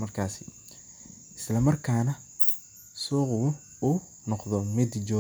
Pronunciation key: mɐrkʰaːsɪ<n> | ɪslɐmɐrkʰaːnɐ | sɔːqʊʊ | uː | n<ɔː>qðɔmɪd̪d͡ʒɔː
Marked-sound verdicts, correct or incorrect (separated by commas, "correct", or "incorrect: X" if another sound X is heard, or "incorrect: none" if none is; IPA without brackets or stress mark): incorrect: none, incorrect: ɔ